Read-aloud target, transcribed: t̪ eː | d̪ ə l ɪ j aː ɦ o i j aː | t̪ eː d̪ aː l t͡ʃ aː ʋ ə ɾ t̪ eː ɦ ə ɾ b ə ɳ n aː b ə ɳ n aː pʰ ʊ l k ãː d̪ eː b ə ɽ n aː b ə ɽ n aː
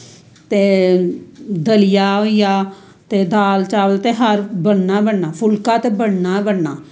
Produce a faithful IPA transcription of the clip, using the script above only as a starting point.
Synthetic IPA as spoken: t̪ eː | d̪ ə l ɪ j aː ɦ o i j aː | t̪ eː d̪ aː l t͡ʃ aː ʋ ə l t̪ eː ɦ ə ɾ b ə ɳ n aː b ə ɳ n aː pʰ ʊ l k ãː t̪ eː b ə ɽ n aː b ə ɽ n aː